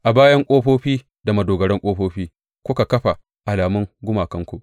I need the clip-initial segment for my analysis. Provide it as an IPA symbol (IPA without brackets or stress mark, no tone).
ʔ